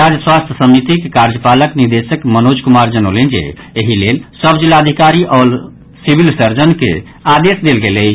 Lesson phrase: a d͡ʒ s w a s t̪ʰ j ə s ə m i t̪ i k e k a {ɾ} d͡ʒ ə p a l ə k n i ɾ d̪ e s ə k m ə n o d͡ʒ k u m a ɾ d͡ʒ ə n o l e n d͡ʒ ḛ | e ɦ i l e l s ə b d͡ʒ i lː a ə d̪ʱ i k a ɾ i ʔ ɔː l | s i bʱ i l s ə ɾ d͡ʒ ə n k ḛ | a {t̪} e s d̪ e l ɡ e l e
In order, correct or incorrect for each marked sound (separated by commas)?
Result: correct, incorrect